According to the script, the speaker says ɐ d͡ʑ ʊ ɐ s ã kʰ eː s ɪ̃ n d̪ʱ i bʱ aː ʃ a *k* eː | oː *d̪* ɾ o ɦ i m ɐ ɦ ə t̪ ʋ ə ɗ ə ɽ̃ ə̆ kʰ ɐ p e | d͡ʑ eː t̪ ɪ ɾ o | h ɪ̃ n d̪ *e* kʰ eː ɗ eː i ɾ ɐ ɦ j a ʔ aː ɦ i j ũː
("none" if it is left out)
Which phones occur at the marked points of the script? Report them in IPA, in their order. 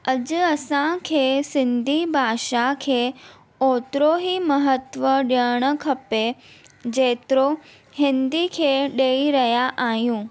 kʰ, t̪, i

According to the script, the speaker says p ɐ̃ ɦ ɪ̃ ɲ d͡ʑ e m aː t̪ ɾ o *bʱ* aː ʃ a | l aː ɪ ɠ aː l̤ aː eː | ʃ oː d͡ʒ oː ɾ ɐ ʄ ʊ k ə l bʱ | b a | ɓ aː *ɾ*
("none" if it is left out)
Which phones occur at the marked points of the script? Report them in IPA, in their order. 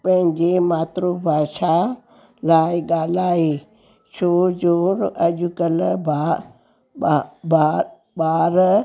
bʱ, ɾ

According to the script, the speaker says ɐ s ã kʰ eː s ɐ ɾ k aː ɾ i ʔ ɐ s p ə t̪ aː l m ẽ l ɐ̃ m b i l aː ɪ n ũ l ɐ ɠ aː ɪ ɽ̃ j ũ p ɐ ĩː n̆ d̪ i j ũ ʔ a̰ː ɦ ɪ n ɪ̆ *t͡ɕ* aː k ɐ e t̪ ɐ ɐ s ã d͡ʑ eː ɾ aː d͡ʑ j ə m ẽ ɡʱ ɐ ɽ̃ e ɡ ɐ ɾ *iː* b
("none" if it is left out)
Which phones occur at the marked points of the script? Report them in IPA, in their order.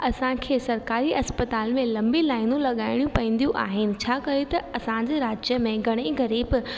t͡ɕʰ, iː

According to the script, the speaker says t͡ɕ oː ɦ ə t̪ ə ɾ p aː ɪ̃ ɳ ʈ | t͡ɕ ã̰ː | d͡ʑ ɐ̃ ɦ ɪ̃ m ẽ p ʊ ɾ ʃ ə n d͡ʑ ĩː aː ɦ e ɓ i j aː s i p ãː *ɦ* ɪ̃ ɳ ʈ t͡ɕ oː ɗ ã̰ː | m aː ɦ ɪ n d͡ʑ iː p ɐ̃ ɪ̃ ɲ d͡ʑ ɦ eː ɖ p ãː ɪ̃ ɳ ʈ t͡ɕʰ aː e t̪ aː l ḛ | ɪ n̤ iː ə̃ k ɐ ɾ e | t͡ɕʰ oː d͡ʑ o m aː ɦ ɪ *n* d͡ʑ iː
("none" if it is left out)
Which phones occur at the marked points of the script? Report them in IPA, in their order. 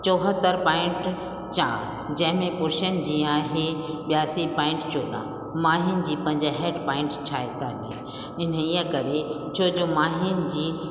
none, n

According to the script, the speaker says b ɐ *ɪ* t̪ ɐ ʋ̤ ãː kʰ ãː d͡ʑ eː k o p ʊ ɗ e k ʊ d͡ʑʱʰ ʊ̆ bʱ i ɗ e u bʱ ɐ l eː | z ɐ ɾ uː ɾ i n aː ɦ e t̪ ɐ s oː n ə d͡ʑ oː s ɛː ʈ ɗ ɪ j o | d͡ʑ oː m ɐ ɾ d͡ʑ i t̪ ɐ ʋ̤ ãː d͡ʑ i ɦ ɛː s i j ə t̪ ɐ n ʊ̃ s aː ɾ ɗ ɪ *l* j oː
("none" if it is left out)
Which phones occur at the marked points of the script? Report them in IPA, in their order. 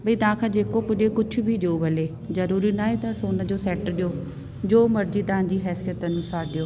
i, none

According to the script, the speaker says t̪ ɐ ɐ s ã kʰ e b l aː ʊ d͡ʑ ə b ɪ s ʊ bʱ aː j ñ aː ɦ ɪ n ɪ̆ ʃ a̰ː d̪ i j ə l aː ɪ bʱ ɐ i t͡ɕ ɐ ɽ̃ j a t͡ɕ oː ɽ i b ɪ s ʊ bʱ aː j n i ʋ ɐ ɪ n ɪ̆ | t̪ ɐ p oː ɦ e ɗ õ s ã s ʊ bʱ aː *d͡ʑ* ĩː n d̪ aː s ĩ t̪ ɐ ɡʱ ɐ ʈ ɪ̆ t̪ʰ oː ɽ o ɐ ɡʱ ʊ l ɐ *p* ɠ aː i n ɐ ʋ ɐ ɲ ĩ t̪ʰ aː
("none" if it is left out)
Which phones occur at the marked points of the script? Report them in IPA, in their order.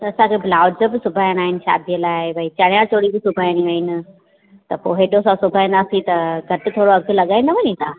none, none

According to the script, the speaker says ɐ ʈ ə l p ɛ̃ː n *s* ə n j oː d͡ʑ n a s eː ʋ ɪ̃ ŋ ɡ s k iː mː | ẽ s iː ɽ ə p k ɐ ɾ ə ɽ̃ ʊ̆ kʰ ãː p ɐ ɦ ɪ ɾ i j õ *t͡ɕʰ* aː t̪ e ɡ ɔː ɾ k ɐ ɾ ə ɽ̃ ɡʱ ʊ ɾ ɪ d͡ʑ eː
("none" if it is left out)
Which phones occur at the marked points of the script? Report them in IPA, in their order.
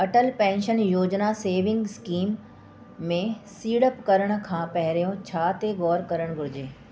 ʃ, t͡ɕʰ

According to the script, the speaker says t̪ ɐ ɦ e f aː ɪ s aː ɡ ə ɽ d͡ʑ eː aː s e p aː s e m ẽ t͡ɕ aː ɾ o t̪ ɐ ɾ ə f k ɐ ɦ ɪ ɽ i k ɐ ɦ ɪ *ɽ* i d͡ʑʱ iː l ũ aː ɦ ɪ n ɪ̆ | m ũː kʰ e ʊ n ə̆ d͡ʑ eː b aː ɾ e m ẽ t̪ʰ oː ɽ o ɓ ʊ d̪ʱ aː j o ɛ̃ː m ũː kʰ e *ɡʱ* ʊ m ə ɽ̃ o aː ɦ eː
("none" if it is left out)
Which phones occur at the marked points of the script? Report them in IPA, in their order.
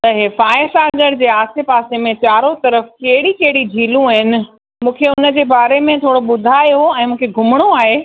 ɽ, ɡʱ

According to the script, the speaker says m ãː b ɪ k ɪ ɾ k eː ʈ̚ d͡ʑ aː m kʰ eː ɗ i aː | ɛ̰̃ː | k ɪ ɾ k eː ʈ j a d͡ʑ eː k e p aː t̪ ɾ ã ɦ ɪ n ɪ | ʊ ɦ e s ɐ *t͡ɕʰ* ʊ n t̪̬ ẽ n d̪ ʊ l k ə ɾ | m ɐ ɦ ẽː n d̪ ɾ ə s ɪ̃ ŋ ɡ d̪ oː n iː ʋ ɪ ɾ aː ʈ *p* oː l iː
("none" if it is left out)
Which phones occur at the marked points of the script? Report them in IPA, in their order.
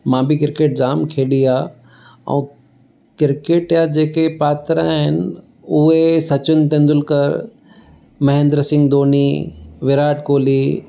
t͡ɕ, k

